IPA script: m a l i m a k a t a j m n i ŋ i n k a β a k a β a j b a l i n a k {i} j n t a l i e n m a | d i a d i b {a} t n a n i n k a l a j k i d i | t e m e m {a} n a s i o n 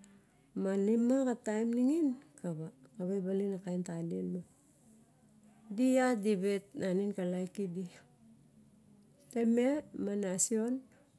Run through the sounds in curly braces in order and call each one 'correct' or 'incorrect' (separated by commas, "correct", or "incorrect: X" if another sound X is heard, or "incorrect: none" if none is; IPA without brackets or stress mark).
incorrect: a, incorrect: e, correct